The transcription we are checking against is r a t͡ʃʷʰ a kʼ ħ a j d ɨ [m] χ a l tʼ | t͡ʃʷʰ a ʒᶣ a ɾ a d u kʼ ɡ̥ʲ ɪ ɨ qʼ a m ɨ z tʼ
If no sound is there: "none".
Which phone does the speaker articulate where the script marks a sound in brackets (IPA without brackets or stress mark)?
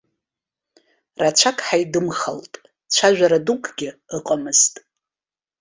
m